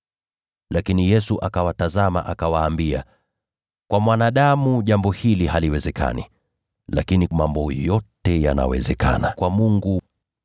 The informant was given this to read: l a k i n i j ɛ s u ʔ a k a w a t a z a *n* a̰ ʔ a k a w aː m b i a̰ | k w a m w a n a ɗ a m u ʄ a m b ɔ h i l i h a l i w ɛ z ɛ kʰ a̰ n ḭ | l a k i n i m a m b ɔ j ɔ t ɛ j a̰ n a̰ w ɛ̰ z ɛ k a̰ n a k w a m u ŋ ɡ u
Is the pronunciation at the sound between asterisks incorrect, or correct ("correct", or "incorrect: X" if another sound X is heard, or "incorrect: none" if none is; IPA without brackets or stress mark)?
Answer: incorrect: m